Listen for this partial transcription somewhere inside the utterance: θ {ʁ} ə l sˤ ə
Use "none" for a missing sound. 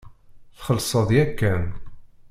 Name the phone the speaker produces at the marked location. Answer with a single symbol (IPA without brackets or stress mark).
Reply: χ